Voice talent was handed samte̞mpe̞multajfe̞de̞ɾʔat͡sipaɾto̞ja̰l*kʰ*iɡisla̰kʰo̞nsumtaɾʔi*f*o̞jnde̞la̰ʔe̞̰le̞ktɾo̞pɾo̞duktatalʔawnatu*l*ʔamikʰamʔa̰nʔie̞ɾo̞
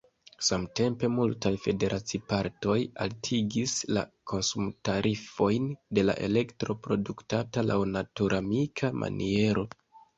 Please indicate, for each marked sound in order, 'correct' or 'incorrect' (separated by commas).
incorrect, correct, incorrect